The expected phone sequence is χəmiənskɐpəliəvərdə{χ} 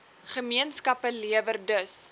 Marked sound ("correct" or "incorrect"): incorrect